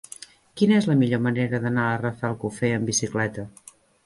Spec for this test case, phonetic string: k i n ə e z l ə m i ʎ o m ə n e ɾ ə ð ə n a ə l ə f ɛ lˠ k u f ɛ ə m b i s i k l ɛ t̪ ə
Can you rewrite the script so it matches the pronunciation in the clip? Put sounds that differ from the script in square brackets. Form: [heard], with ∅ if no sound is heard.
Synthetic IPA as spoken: k i n ə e z l ə m i ʎ o m ə n e ɾ ə ð ə n a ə [r] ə f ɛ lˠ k u f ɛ ə m b i s i k l ɛ t̪ ə